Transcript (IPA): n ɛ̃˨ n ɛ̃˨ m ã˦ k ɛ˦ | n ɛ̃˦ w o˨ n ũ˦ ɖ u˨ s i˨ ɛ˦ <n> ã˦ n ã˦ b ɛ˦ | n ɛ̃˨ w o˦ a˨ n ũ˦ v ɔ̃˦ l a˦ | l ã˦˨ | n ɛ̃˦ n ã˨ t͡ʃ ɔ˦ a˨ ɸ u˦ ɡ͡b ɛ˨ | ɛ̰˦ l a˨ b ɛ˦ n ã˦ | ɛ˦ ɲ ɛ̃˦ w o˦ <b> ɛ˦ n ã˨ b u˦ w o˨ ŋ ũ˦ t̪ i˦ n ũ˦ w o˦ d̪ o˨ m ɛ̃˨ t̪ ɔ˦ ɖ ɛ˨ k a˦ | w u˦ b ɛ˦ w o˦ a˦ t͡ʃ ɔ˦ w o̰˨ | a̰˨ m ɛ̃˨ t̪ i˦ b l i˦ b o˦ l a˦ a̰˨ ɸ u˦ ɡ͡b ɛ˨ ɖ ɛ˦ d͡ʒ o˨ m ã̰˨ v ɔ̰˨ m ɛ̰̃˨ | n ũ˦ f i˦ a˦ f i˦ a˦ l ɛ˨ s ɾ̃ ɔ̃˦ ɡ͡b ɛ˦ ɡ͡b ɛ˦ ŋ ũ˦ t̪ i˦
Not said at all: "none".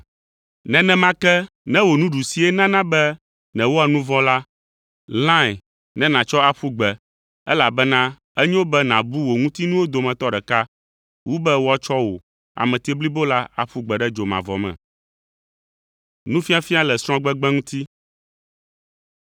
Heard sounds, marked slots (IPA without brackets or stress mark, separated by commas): n, b